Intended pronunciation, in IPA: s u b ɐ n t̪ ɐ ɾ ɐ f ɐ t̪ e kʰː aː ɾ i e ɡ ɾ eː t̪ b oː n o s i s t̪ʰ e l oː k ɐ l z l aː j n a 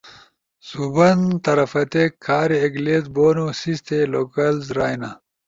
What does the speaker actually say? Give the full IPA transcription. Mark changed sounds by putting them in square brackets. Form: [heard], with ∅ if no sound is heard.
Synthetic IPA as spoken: s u b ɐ n t̪ ɐ ɾ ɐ f ɐ t̪ e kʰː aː ɾ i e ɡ [l] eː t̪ b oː n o s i s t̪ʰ e l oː k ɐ l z [ɾ] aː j n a

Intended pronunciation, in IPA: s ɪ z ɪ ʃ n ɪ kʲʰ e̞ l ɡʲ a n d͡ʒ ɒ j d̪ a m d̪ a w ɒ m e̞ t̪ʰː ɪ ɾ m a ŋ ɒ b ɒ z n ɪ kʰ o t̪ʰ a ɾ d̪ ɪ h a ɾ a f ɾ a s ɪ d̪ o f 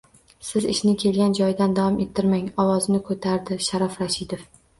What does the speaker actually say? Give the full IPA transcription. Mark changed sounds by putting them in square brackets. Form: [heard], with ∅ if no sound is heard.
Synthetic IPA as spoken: s ɪ z ɪ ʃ n ɪ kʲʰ e̞ l ɡʲ a n d͡ʒ ɒ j d̪ a [n] d̪ a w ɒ m e̞ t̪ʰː ɪ ɾ m a ŋ ɒ [w] ɒ z n ɪ kʰ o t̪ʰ a ɾ d̪ ɪ [ʃ] a ɾ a f ɾ a [ʃ] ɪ d̪ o f

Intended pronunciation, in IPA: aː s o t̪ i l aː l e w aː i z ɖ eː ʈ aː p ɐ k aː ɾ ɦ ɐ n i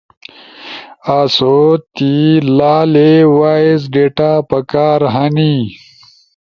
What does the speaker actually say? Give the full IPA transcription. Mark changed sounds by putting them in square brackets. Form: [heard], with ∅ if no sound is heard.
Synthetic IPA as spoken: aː s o t̪ i l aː l e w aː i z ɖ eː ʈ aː p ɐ k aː ɾ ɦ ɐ n i

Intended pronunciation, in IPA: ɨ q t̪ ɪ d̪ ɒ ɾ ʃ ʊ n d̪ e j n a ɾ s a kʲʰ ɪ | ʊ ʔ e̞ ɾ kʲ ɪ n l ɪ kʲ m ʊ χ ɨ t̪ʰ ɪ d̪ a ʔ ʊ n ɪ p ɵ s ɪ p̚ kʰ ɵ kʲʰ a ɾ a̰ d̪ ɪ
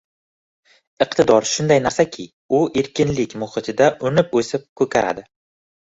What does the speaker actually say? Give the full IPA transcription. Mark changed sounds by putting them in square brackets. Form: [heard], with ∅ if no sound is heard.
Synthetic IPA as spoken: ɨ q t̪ ɪ d̪ ɒ ɾ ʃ ʊ n d̪ [a] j n a ɾ s a kʲʰ ɪ | ʊ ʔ e̞ ɾ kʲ ɪ n l ɪ kʲ m ʊ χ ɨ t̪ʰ ɪ d̪ a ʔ ʊ n ɪ p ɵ s ɪ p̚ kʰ ɵ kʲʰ a ɾ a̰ d̪ ɪ

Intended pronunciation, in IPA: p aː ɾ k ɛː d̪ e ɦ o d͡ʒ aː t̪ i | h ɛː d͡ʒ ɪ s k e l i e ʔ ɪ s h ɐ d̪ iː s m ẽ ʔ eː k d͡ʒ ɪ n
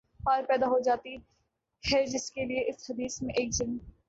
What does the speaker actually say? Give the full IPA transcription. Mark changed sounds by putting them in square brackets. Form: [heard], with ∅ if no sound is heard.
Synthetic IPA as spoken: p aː ɾ [p] ɛː d̪ [a] ɦ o d͡ʒ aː t̪ i | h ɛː d͡ʒ ɪ s k e l i e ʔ ɪ s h ɐ d̪ iː s m ẽ ʔ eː k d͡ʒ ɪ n

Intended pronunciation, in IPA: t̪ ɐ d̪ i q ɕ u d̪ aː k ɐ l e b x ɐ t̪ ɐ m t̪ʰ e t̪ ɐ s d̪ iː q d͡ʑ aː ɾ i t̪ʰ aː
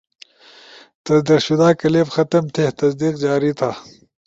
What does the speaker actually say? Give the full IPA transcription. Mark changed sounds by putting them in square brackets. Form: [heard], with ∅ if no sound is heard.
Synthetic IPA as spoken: t̪ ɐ d̪ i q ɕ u d̪ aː k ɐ l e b x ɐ t̪ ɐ m t̪ʰ e t̪ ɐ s d̪ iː q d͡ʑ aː ɾ i t̪ʰ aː

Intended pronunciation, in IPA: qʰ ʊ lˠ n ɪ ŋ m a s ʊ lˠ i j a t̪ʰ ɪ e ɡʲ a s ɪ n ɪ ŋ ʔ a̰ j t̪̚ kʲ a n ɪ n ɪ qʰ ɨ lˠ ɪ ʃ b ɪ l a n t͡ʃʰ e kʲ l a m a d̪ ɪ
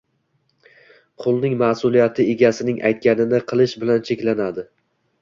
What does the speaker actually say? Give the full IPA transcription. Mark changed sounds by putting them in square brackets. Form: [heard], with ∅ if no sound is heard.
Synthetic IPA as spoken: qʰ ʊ lˠ n ɪ ŋ m a s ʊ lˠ i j a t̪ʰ ɪ e ɡʲ a s ɪ n ɪ ŋ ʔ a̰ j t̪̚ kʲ a n ɪ n ɪ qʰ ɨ lˠ ɪ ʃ b ɪ l a n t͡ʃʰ e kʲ l a [n] a d̪ ɪ

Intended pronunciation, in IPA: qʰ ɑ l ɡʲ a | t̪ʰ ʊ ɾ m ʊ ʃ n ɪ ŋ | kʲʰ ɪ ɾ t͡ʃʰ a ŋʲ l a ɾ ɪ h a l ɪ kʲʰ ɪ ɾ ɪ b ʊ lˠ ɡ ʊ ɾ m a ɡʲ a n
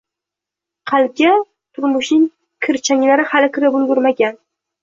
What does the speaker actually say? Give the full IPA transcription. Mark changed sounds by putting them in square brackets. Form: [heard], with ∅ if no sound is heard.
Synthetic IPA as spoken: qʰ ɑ l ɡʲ a | t̪ʰ ʊ ɾ m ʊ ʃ n ɪ ŋ | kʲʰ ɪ ɾ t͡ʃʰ a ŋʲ l a ɾ ɪ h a l ɪ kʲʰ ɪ ɾ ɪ b ʊ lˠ ɡ ʊ ɾ m a ɡʲ a n

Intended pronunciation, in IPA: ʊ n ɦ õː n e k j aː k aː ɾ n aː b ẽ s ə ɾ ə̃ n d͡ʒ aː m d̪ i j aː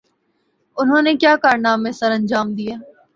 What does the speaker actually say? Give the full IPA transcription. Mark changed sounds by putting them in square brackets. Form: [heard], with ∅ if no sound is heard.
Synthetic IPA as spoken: ʊ n ɦ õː n e k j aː k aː ɾ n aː [m] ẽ s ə ɾ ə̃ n d͡ʒ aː m d̪ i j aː

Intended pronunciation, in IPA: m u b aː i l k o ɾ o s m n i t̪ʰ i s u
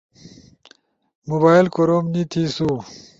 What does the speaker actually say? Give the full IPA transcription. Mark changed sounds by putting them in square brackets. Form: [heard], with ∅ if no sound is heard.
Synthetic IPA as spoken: m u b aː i l k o ɾ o [∅] m n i t̪ʰ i s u

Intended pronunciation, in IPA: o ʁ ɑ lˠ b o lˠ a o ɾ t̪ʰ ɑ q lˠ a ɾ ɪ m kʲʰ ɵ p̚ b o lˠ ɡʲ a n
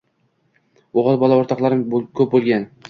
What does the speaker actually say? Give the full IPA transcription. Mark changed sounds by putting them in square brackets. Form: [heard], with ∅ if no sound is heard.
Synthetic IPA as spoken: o ʁ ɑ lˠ b [ɒ] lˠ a o ɾ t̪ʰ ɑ q lˠ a ɾ ɪ m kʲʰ ɵ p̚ b o lˠ ɡʲ a n

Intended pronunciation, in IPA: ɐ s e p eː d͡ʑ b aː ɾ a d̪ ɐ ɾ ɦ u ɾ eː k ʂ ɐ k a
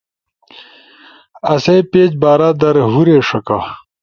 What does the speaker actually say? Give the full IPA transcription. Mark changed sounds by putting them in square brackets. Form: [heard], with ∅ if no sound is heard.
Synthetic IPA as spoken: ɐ s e p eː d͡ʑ b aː ɾ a d̪ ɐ ɾ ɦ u ɾ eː [∅] ʂ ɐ k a

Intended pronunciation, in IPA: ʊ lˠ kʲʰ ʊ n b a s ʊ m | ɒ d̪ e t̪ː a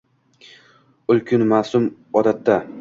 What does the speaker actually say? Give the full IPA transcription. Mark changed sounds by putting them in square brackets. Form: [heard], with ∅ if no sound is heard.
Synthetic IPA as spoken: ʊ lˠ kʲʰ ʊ n [m] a s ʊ m | ɒ d̪ [a] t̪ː a

